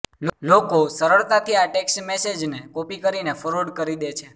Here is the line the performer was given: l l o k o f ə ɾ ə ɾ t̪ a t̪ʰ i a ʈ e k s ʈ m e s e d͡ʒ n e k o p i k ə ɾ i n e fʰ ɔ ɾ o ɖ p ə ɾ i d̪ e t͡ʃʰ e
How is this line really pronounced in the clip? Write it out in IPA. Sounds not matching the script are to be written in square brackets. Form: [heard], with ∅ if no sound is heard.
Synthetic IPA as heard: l l o k o [s] ə ɾ ə [ɭ] t̪ a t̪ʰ i a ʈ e k s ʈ m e s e d͡ʒ n e k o p i k ə ɾ i n e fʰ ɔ ɾ o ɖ [k] ə ɾ i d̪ e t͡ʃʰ e